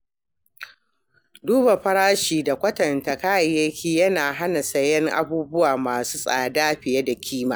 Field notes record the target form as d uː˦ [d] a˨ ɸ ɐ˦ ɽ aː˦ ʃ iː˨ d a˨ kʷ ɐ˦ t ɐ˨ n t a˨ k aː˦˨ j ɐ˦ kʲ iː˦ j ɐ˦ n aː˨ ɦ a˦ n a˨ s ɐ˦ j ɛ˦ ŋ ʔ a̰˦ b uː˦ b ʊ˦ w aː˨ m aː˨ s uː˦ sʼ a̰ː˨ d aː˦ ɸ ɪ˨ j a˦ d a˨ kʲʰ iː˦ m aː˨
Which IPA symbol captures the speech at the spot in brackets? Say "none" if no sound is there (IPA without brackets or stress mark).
b